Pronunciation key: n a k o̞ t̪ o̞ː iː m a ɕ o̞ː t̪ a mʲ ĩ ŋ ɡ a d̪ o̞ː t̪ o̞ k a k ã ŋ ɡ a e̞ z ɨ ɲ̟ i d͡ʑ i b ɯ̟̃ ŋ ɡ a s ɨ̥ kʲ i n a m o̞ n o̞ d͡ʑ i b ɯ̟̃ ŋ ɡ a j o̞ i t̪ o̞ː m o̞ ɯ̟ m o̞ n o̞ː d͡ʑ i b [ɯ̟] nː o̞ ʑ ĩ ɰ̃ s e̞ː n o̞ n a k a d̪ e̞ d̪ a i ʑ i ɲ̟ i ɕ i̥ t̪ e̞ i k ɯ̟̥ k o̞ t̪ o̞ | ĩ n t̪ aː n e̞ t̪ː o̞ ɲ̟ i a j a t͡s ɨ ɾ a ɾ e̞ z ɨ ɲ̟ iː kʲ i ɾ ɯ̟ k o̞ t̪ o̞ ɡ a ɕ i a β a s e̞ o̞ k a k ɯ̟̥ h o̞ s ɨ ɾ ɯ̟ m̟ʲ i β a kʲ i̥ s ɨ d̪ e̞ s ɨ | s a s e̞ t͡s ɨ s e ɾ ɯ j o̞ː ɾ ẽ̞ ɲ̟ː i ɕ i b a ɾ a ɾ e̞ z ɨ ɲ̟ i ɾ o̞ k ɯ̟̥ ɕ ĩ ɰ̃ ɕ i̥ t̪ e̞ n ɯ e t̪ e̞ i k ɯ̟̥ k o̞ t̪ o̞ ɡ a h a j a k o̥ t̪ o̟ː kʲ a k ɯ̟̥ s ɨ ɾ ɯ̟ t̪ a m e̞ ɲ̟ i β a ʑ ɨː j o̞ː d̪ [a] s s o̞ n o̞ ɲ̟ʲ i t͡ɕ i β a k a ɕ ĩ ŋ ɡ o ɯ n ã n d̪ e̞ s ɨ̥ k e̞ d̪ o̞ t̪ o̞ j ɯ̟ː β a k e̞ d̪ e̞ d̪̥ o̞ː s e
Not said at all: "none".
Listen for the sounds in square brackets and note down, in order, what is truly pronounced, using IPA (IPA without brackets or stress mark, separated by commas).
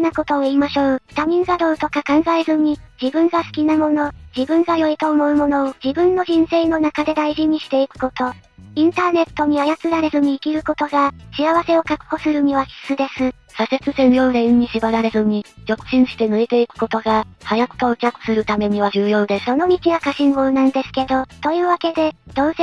ɯ̟̃, e